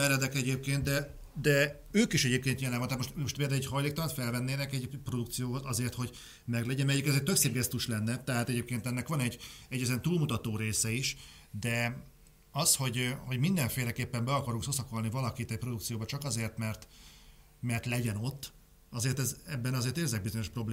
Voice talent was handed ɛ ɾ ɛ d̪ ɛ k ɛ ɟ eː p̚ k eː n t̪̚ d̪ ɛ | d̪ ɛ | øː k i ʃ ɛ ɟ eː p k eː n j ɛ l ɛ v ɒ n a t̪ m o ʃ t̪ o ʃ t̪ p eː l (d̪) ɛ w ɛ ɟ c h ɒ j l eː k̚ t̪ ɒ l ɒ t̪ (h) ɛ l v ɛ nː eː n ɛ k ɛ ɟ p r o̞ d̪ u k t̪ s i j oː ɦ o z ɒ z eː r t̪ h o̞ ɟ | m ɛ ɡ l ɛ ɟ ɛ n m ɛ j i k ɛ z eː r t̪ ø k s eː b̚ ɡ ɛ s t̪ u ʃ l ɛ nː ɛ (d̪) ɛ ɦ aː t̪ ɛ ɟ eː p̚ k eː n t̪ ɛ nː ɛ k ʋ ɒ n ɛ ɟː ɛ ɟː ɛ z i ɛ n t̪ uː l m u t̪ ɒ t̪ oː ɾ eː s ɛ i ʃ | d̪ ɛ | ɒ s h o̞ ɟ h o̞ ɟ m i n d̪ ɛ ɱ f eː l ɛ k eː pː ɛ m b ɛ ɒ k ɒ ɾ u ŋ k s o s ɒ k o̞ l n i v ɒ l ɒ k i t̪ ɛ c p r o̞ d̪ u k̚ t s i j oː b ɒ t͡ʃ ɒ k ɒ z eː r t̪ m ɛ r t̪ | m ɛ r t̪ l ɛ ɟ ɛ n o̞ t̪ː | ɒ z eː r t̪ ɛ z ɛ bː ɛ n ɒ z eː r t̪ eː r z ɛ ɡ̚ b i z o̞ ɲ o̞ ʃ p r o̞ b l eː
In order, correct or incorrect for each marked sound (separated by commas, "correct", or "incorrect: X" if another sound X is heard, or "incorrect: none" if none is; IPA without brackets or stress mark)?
correct, incorrect: f, incorrect: t̪